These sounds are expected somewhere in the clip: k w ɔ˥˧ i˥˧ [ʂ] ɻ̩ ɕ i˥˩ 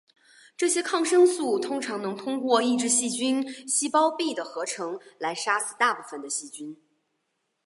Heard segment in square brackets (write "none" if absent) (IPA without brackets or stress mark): ʈ͡ʂ